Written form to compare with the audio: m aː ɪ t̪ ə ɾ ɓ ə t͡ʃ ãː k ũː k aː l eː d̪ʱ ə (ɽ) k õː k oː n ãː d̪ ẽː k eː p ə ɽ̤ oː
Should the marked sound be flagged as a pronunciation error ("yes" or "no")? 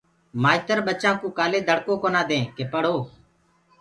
no